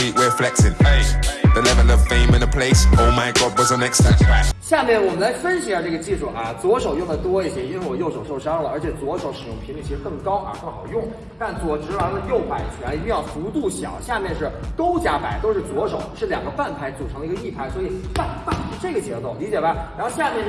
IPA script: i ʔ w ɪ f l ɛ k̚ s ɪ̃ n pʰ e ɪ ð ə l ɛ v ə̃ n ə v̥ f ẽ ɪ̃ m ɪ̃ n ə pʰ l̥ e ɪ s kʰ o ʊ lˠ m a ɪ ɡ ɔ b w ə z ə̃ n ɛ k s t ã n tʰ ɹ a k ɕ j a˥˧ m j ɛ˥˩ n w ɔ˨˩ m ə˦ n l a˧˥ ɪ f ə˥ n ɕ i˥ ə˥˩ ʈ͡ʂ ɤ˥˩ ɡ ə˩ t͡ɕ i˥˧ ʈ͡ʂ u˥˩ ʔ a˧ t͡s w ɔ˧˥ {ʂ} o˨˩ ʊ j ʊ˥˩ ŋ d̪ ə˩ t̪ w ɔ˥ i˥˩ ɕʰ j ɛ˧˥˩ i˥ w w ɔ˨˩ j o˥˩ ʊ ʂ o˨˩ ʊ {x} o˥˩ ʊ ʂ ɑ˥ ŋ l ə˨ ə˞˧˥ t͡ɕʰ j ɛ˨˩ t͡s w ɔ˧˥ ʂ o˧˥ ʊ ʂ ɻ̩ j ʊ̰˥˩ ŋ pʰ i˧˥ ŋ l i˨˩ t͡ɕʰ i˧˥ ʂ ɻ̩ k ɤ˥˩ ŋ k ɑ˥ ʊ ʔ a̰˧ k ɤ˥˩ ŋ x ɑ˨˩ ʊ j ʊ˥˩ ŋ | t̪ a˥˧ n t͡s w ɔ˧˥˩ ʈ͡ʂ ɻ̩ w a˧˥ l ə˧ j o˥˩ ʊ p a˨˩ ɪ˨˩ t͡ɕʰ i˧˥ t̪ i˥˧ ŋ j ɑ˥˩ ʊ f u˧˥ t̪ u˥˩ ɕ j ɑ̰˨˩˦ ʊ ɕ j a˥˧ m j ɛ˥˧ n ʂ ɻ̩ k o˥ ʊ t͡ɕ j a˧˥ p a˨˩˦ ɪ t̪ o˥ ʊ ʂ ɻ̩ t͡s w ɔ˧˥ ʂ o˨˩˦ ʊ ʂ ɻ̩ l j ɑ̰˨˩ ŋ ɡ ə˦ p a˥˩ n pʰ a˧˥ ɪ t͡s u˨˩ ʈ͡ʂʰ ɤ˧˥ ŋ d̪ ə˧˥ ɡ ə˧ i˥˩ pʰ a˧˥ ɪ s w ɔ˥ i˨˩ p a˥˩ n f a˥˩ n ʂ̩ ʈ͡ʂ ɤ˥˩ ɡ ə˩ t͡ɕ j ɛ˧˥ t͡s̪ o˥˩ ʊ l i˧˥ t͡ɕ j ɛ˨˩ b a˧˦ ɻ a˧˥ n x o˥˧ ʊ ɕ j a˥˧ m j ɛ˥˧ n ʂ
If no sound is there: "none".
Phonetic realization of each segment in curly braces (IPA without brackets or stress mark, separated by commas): ʂ, ʂ